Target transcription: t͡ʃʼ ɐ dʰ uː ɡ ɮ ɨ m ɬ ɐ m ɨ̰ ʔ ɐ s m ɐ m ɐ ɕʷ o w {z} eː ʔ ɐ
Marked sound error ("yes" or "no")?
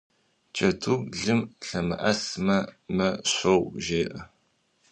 yes